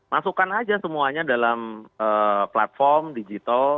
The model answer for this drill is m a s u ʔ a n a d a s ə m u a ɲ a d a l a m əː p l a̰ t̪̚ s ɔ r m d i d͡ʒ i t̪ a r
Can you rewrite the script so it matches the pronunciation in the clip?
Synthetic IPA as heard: m a s u k a n a d͡ʒ a s ə m u a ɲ a d a l a m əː p l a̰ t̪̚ f ɔ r m d i d͡ʒ i t̪ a l